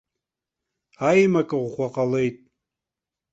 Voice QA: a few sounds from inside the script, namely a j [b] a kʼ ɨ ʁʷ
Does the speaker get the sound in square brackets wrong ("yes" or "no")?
yes